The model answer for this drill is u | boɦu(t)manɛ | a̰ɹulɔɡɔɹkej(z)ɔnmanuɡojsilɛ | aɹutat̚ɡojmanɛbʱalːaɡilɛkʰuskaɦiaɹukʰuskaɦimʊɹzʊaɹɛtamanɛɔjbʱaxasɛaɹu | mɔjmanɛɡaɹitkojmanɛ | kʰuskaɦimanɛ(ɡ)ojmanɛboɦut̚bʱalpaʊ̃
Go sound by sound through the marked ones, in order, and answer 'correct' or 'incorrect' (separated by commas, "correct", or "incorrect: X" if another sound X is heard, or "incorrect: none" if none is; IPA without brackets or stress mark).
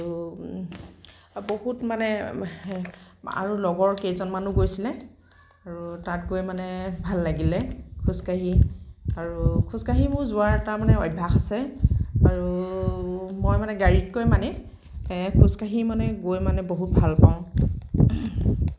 correct, correct, correct